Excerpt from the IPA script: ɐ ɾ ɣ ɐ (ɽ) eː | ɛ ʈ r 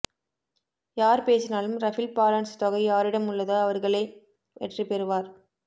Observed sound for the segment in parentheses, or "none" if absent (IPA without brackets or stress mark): ɭ